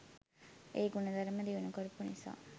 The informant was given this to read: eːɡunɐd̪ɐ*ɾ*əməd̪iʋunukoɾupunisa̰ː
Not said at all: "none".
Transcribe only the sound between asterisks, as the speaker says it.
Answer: ɾ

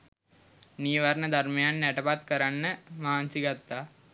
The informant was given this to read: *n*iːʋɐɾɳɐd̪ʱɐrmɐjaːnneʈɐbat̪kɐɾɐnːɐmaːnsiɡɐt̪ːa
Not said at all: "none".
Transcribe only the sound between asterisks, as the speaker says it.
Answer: n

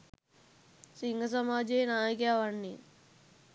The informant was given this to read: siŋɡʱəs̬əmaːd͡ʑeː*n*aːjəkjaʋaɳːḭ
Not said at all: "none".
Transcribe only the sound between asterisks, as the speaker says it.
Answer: n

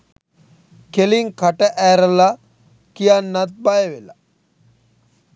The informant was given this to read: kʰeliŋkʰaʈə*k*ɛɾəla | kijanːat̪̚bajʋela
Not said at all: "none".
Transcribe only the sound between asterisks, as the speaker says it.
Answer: ʔ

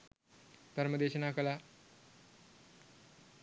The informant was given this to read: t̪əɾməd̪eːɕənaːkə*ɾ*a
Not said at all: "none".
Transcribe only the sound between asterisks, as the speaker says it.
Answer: l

